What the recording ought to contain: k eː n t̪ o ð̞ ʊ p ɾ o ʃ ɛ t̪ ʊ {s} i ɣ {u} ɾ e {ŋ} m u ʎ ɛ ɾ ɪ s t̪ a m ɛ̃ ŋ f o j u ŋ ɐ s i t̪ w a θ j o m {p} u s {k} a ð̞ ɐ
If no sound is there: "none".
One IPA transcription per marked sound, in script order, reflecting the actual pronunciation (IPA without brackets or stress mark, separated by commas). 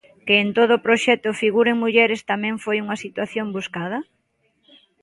f, u, ŋ, b, k